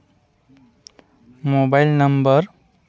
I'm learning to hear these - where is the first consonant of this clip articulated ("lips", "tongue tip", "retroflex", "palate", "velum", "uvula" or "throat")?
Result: lips